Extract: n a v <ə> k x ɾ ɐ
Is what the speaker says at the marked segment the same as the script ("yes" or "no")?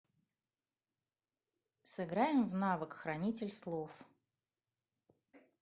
yes